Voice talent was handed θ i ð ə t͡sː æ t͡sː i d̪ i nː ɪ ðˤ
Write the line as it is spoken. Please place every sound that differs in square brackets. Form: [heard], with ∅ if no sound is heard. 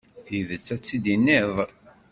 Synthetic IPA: θ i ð ə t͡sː æ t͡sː i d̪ i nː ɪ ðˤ